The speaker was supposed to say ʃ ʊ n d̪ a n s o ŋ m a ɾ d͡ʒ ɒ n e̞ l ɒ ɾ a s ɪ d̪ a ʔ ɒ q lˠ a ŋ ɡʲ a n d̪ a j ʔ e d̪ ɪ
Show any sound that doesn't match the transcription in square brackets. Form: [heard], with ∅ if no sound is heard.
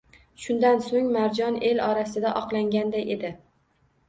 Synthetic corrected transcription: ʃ ʊ n d̪ a n s o ŋ m a ɾ d͡ʒ ɒ n e̞ l ɒ ɾ a s ɪ d̪ a ʔ ɒ q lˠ a ŋ ɡʲ a n d̪ a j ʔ e d̪ ɪ